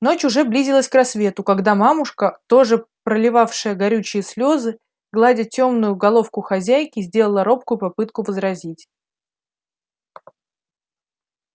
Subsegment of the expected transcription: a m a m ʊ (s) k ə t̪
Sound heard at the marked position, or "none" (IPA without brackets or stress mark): ʂ